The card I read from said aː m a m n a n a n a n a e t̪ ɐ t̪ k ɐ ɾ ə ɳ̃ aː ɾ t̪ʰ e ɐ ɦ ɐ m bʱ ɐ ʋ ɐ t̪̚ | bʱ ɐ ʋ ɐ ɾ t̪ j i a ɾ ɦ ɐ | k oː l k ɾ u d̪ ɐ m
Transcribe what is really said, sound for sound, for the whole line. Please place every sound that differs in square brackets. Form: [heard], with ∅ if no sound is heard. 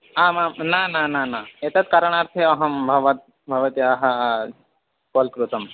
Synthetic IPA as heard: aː m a m n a n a n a n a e t̪ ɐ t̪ k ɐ ɾ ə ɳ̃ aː ɾ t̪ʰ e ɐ ɦ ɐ m bʱ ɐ ʋ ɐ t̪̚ | bʱ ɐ ʋ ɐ [∅] t̪ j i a [∅] ɦ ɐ | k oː l k ɾ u [t̪] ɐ m